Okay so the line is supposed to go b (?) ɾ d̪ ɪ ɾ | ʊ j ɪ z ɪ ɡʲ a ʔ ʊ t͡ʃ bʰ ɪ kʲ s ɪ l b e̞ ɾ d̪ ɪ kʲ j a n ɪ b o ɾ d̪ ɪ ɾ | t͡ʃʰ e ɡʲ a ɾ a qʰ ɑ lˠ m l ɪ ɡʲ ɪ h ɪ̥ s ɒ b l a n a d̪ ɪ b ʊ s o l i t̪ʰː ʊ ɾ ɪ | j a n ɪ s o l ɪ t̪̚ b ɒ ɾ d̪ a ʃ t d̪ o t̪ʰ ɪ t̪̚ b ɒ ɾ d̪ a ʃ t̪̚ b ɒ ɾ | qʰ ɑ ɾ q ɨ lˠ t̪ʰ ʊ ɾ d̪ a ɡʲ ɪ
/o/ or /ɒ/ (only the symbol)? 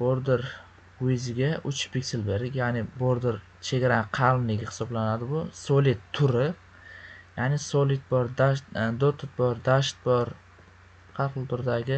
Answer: o